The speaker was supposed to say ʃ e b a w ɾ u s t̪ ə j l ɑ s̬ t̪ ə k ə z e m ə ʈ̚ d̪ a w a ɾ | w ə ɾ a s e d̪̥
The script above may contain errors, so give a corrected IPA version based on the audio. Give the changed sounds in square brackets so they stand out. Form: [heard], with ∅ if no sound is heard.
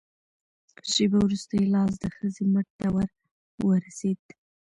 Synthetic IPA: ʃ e b a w ɾ u s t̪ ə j l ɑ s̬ [d̪] ə [x] ə z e m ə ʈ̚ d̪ a w a ɾ | w ə ɾ a s e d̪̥